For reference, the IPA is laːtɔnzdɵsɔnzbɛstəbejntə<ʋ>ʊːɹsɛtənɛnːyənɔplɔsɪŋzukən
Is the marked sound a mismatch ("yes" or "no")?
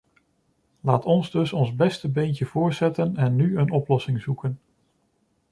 yes